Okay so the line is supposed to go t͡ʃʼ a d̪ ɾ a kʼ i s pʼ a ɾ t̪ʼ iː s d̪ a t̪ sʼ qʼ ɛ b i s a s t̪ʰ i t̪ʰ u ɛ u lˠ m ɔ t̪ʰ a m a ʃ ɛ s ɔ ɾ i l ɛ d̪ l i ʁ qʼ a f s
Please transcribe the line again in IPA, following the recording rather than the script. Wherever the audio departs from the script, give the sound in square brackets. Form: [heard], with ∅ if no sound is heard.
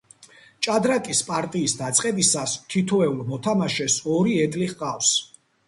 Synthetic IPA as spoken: t͡ʃʼ a d̪ ɾ a kʼ i s pʼ a ɾ t̪ʼ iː s d̪ a t̪ sʼ qʼ ɛ b i s a s t̪ʰ i t̪ʰ [ɔ] ɛ u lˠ m ɔ t̪ʰ a m a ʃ ɛ s ɔ ɾ i [∅] ɛ d̪ l i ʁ qʼ a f s